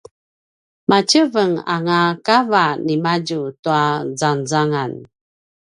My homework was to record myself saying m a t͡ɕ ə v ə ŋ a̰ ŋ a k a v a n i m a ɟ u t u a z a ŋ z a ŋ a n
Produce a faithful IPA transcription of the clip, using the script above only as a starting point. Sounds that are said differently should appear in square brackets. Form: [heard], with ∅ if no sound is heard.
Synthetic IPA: m a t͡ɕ ə v ə ŋ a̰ ŋ a k a v a n i m a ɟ u t u a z a [n] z a ŋ a n

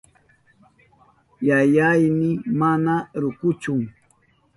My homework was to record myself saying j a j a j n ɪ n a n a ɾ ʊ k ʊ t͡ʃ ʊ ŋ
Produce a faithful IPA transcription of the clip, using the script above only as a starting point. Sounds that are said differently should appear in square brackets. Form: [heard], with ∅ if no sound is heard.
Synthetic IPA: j a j a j n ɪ [m] a n a ɾ ʊ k ʊ t͡ʃ ʊ ŋ

